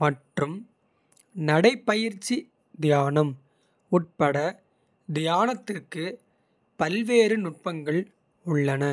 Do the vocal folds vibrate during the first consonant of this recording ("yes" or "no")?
yes